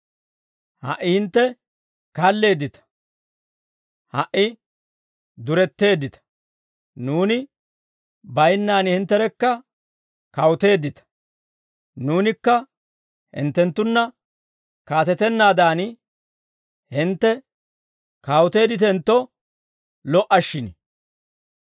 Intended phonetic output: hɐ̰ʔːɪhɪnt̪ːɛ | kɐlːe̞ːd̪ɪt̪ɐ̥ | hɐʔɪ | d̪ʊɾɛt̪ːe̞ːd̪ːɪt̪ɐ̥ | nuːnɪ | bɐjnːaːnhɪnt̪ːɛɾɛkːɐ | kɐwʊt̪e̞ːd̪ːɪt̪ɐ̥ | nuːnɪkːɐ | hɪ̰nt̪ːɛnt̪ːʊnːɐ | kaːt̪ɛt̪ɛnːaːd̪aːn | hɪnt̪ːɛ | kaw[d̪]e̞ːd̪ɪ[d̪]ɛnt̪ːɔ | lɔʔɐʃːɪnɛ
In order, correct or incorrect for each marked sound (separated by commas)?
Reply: incorrect, incorrect